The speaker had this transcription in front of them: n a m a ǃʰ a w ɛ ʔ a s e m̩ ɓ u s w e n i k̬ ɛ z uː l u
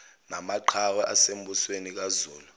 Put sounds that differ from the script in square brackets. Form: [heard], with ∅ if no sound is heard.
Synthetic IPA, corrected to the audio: n a m a ǃʰ a w ɛ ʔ a s e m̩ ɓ u s w e n i k̬ [a] z uː l u